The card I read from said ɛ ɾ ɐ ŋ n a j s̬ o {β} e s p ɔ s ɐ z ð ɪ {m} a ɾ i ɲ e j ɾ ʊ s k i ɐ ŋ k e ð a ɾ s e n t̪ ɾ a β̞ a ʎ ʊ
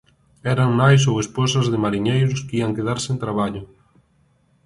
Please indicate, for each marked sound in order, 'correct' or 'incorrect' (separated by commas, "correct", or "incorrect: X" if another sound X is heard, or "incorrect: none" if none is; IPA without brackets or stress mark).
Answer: incorrect: w, correct